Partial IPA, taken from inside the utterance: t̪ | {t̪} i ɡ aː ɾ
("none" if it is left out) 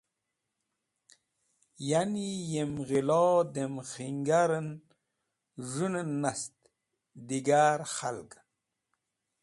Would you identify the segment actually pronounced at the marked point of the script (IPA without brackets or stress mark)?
d̪